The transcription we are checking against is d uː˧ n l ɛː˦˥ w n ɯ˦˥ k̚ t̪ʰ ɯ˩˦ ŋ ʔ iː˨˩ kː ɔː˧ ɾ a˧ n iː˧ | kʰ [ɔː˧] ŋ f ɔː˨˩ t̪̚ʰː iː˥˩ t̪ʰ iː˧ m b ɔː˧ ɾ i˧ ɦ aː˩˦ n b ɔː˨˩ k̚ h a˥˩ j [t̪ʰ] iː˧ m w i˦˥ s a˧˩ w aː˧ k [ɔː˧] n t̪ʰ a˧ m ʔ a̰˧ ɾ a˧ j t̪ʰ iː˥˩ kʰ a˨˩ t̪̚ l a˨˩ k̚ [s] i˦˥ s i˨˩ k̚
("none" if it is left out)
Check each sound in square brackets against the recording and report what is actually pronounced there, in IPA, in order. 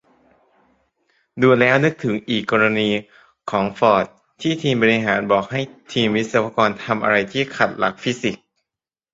ɔː˩˦, t̪ʰ, ɔː˧, f

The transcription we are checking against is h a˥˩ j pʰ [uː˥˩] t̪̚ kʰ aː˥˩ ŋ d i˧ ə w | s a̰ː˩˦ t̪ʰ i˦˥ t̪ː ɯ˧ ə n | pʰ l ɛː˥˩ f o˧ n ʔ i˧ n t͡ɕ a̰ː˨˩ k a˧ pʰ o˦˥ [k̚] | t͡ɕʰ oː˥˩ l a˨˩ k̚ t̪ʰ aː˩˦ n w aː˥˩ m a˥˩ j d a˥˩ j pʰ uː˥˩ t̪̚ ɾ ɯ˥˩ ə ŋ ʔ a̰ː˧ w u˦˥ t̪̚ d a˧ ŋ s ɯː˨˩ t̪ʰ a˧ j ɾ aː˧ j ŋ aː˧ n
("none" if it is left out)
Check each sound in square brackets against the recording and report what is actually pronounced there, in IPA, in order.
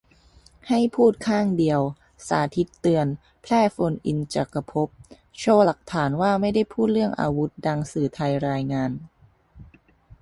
uː˥˩, p̚

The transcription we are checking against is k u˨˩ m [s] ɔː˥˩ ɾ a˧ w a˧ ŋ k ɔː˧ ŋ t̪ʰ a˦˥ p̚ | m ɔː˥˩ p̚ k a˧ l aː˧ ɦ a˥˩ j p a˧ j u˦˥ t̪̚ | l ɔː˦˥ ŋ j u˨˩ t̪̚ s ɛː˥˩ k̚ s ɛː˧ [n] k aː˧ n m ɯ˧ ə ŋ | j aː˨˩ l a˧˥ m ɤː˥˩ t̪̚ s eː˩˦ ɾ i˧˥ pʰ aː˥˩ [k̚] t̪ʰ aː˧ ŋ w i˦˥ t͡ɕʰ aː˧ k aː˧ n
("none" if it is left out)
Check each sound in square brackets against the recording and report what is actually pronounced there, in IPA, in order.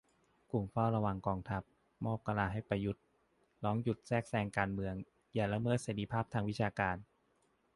f, ŋ, p̚

